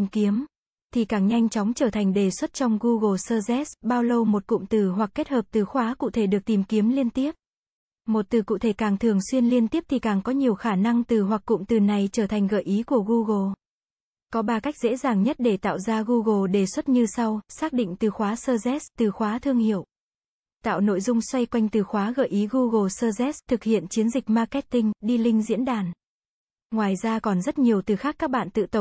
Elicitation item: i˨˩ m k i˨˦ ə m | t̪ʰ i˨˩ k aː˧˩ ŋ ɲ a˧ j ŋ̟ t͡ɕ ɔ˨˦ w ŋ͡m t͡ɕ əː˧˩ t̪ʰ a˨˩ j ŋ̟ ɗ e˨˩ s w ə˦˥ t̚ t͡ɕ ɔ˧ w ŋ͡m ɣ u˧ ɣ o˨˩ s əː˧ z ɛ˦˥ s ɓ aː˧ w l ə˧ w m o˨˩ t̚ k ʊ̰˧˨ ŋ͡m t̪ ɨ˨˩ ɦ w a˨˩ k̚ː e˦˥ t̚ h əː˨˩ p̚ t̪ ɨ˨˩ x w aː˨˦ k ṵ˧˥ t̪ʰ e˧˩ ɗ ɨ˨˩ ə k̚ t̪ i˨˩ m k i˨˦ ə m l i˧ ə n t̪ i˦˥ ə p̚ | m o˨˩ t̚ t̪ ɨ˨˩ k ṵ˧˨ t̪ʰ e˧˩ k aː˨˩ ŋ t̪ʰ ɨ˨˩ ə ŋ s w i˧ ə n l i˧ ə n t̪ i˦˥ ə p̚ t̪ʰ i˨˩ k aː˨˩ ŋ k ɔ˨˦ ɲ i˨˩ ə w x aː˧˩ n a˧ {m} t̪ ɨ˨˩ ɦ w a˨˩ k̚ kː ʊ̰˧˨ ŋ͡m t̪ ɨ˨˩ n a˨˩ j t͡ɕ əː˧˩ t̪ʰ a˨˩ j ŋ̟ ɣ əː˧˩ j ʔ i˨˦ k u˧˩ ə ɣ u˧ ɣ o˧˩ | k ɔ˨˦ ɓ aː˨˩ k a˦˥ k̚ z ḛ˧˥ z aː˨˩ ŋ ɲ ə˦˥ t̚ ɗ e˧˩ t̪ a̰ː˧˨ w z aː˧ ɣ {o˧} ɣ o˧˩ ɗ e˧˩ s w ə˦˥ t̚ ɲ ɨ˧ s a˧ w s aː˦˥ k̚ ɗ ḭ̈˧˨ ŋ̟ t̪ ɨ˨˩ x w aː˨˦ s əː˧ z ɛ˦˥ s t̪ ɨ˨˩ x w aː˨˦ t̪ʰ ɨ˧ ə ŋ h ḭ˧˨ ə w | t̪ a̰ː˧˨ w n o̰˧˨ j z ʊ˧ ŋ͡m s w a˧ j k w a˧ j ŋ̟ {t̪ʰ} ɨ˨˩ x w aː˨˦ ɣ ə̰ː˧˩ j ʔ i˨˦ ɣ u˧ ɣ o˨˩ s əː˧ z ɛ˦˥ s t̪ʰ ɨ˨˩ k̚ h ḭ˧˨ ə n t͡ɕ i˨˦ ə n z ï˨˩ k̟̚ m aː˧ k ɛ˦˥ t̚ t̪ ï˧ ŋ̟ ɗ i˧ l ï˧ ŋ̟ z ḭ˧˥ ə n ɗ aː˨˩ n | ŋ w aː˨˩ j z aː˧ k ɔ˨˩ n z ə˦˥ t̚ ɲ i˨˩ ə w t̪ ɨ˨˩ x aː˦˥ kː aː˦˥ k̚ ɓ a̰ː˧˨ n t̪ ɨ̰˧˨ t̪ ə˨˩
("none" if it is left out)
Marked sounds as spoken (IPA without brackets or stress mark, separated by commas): ŋ, u˧, t̪